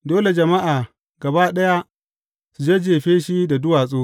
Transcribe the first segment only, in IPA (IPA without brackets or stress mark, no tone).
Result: d